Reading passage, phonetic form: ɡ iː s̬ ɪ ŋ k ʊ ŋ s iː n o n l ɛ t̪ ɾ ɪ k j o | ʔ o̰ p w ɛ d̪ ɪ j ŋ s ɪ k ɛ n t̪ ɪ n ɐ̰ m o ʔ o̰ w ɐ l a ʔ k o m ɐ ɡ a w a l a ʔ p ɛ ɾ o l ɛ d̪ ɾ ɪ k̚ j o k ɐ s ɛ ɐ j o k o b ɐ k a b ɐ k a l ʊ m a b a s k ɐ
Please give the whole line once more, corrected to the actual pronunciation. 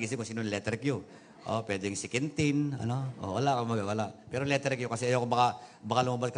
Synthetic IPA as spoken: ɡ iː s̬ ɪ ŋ k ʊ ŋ s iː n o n l ɛ t̪ ɾ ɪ k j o | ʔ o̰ p w ɛ d̪ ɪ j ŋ s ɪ k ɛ n t̪ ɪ n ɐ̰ n o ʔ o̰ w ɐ l a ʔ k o m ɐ ɡ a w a l a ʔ p ɛ ɾ o l ɛ t̪ ɾ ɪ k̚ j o k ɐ s ɛ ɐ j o k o b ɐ k a b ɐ k a l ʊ m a b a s k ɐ